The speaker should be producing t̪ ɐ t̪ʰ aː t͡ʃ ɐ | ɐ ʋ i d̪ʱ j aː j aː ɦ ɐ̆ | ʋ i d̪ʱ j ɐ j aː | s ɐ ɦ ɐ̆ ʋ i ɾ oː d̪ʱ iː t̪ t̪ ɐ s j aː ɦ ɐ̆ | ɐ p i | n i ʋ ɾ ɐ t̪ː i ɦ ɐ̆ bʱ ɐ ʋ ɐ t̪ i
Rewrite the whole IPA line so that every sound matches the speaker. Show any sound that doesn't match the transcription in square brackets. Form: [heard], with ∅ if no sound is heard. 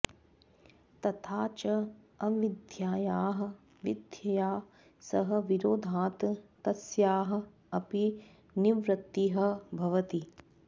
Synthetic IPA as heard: t̪ ɐ t̪ʰ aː t͡ʃ ɐ | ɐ ʋ i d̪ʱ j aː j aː ɦ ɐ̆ | ʋ i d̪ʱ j ɐ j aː | s ɐ ɦ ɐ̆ ʋ i ɾ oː d̪ʱ [aː] t̪ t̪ ɐ s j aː ɦ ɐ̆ | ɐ p i | n i ʋ ɾ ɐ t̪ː i ɦ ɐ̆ bʱ ɐ ʋ ɐ t̪ i